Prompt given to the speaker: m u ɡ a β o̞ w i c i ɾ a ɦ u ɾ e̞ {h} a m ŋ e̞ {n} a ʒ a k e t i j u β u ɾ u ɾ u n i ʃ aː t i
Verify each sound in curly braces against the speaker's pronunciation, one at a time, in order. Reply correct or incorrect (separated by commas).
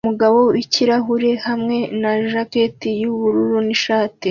correct, correct